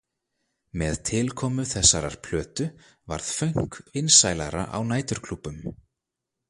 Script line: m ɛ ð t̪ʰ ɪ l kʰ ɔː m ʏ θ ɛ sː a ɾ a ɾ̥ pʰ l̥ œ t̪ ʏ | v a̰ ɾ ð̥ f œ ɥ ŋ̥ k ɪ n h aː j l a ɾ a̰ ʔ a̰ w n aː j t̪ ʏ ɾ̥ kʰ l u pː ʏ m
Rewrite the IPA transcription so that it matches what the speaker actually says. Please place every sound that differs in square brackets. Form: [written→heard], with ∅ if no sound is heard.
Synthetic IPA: m ɛ ð t̪ʰ ɪ l kʰ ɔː m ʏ θ ɛ sː a ɾ a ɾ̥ pʰ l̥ [œ→œː] t̪ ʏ | v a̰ ɾ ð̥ f œ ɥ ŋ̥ k ɪ n [h→s] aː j l a ɾ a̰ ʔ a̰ w n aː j t̪ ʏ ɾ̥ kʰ l u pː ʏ m